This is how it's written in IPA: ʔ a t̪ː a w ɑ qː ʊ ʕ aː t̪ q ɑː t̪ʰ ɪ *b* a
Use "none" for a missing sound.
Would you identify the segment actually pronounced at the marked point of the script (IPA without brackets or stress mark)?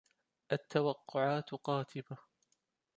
b